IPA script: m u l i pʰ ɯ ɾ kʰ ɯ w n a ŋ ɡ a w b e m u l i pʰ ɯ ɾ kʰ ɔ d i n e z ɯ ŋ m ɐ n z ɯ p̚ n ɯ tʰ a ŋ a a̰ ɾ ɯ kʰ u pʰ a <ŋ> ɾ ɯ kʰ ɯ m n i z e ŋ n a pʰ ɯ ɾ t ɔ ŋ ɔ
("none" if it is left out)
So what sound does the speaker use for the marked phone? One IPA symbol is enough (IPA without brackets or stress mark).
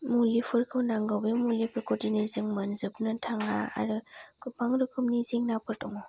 ŋ